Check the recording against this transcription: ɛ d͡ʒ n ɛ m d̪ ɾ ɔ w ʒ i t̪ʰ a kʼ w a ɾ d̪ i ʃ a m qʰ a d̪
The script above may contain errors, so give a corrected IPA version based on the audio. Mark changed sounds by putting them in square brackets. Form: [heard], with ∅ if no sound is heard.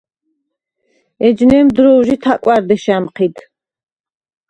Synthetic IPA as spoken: ɛ d͡ʒ n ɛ m d̪ ɾ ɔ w ʒ i t̪ʰ a kʼ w a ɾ d̪ [ɛ] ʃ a m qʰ [i] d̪